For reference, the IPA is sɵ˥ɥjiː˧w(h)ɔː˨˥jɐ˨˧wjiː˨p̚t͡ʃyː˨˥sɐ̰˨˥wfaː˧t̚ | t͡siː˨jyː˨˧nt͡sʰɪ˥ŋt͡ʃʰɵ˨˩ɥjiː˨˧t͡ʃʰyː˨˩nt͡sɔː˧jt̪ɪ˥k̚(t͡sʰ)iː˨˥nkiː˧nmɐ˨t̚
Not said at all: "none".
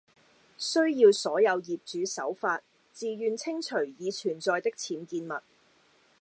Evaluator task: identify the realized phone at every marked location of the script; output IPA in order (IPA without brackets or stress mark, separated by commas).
s, t͡sʰ